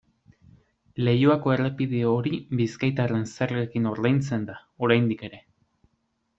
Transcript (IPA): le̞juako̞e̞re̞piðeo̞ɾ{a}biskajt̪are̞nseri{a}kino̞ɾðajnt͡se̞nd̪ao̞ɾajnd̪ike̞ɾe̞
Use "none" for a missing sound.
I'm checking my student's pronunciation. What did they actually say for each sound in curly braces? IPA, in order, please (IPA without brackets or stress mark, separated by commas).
i, e